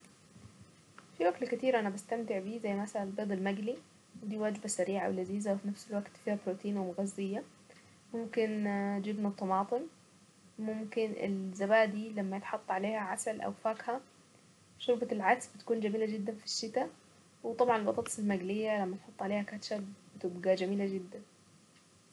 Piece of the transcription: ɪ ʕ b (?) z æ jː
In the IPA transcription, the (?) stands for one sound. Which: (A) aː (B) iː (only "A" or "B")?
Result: B